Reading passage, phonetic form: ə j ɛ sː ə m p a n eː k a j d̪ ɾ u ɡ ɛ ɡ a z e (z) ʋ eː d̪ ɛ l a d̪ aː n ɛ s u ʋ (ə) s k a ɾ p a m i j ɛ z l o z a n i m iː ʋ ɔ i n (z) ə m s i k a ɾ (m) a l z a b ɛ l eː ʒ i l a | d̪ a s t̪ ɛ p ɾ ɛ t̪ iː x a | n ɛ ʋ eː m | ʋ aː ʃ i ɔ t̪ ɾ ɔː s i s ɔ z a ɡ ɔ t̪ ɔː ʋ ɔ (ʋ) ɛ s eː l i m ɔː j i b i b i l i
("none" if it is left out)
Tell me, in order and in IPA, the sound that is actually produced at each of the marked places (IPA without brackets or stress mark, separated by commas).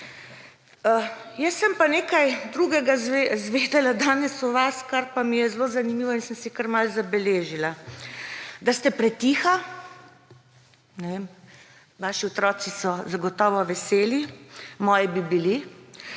z, a, s, m, ʋ